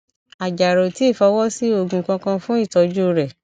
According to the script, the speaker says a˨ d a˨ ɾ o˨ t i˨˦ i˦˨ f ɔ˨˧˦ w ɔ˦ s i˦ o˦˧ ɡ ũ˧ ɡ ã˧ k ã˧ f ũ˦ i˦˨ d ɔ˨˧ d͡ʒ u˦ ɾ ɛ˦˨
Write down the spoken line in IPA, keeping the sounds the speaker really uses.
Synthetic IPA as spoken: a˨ d͡ʒ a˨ ɾ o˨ t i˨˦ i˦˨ f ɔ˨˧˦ w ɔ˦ s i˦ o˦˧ ɡ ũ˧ k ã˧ k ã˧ f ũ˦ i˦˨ t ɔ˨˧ d͡ʒ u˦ ɾ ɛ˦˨